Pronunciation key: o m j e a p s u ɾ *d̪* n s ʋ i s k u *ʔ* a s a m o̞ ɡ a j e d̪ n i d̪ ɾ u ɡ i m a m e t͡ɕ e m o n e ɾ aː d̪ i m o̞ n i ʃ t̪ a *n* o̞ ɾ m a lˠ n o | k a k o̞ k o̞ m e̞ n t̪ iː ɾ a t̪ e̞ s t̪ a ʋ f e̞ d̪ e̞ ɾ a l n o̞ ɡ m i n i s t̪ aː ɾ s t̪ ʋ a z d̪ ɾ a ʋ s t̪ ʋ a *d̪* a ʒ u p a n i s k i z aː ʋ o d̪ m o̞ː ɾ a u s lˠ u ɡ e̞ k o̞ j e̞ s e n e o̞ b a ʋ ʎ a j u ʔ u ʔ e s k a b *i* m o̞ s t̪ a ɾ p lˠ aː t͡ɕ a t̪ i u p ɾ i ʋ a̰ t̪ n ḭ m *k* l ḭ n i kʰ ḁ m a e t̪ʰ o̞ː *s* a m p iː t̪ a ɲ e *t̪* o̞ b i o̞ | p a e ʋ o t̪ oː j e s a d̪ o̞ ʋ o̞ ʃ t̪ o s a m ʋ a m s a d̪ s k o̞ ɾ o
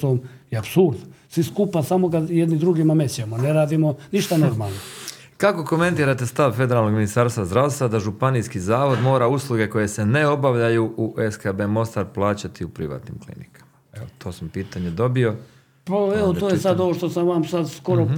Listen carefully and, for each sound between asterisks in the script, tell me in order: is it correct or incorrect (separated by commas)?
correct, incorrect, correct, correct, incorrect, correct, correct, incorrect